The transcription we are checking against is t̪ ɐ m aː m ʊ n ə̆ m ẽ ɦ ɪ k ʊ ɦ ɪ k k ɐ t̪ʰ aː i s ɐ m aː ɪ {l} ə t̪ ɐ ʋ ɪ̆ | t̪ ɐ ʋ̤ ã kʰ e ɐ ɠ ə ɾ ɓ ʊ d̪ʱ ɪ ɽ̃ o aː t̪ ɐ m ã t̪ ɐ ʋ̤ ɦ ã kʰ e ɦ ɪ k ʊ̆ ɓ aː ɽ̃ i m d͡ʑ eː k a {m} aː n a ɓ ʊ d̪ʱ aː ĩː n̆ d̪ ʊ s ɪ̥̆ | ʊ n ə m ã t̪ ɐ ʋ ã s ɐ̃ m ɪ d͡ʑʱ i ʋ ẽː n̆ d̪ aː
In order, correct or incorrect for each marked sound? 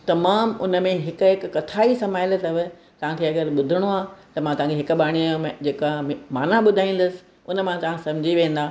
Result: correct, correct

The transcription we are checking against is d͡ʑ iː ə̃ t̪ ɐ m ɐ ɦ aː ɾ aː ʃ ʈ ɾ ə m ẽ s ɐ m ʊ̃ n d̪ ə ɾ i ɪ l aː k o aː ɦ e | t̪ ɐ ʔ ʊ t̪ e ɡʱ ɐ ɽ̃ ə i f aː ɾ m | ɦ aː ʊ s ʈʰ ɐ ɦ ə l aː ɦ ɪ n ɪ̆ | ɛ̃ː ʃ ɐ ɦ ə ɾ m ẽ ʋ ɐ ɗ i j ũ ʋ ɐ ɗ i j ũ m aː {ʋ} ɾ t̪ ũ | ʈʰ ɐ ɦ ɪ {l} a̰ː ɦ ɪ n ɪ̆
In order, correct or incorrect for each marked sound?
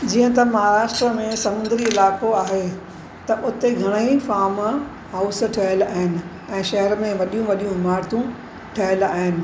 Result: incorrect, correct

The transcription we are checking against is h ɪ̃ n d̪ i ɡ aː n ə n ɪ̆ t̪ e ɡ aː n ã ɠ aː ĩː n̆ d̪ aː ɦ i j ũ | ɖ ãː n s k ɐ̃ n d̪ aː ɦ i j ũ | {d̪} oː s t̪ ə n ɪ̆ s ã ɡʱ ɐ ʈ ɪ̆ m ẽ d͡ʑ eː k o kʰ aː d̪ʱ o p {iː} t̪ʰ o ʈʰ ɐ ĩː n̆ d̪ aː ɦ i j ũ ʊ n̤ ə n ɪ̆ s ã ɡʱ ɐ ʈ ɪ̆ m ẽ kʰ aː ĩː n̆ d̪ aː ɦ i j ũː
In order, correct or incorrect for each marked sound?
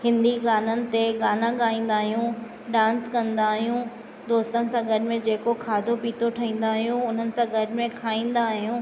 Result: correct, correct

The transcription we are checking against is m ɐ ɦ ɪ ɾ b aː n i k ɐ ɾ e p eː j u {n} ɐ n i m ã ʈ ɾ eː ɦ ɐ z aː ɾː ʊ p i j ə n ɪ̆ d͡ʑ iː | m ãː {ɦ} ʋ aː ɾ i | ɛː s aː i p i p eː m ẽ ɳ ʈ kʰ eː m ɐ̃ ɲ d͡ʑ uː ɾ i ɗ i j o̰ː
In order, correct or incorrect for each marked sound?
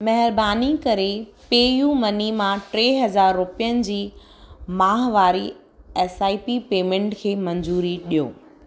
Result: incorrect, correct

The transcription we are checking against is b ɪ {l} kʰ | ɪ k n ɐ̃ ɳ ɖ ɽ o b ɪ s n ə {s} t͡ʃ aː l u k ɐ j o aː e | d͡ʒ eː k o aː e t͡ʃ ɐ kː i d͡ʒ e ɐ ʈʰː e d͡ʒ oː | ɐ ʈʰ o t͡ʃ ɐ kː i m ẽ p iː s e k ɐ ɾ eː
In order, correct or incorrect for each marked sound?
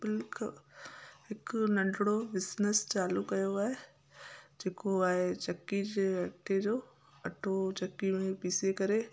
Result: correct, correct

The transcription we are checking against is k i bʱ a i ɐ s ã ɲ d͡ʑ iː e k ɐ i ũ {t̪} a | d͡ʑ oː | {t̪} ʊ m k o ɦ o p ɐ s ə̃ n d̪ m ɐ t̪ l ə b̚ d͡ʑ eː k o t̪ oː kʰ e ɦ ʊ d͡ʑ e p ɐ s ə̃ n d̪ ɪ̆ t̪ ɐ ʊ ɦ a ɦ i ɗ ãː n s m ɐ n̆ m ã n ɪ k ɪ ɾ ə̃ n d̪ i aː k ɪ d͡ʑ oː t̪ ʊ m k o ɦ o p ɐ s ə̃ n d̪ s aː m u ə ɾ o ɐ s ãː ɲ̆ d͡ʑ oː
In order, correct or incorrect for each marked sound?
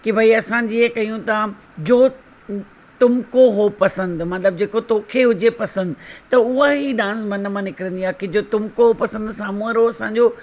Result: correct, correct

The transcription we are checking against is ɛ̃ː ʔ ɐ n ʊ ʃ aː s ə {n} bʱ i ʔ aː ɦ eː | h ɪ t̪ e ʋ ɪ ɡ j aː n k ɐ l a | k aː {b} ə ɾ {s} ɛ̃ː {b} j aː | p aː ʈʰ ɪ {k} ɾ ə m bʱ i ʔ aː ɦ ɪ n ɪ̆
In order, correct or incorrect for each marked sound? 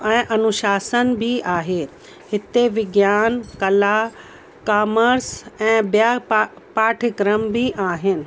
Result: correct, incorrect, correct, correct, correct

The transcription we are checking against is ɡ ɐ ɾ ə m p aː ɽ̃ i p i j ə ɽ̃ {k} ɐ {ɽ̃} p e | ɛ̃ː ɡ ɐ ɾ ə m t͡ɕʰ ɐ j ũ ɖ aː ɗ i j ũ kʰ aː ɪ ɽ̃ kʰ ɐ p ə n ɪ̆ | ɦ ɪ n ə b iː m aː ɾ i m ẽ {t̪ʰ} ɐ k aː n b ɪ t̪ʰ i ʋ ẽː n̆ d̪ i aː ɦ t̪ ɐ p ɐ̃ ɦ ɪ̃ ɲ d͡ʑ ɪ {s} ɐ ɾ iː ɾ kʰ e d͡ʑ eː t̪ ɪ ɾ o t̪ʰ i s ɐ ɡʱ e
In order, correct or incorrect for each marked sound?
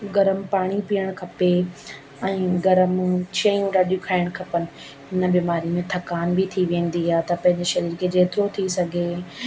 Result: incorrect, incorrect, correct, incorrect

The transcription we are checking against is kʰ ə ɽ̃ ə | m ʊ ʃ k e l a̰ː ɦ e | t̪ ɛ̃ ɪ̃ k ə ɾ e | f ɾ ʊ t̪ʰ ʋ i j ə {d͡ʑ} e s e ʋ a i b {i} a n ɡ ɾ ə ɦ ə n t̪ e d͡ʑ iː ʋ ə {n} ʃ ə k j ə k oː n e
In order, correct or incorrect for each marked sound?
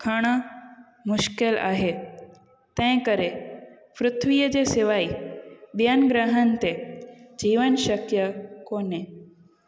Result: correct, incorrect, correct

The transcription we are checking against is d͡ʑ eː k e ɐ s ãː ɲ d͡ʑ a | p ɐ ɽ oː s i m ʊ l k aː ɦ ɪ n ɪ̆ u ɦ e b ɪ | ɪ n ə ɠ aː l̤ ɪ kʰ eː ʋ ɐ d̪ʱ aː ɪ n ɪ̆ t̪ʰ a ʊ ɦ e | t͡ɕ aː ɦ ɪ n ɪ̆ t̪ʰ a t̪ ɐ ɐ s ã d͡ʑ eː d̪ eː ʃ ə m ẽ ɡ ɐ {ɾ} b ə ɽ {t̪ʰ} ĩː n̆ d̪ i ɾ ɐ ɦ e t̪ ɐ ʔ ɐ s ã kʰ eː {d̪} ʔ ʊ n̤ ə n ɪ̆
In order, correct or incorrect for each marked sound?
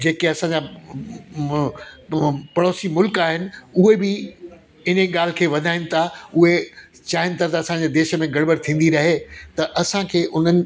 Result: incorrect, correct, incorrect

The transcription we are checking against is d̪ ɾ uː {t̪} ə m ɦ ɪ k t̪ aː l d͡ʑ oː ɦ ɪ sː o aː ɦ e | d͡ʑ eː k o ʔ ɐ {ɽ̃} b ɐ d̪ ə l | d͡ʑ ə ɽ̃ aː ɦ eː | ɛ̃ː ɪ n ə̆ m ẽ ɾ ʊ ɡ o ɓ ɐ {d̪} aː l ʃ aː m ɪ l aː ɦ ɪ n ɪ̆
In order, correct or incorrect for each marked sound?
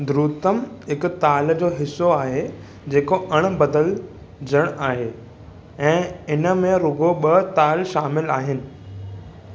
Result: correct, correct, incorrect

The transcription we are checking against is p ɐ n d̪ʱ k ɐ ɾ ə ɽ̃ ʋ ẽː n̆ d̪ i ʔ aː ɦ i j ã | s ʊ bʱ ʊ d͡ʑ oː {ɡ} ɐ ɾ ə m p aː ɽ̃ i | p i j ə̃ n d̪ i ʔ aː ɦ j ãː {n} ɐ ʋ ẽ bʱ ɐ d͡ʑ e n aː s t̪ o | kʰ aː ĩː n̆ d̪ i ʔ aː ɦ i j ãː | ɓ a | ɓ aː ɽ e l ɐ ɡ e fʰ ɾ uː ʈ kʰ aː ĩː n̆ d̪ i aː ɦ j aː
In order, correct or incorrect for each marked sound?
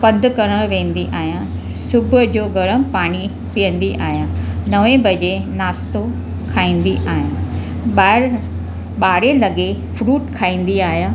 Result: correct, correct

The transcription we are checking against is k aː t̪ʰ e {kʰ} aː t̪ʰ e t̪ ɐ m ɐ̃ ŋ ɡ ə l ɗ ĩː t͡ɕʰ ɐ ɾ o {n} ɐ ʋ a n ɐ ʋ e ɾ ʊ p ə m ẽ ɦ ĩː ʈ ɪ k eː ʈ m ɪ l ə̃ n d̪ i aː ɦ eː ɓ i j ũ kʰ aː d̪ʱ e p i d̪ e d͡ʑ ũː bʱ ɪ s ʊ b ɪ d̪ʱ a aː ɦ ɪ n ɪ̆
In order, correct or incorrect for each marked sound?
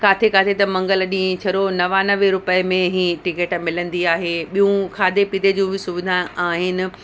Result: incorrect, correct

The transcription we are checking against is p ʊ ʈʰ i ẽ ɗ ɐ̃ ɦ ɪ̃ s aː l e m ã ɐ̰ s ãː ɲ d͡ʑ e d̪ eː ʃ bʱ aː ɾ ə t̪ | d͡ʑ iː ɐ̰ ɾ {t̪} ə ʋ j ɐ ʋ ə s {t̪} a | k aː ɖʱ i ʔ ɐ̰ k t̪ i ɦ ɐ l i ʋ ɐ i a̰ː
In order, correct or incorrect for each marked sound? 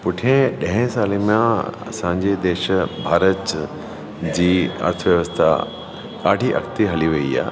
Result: incorrect, incorrect

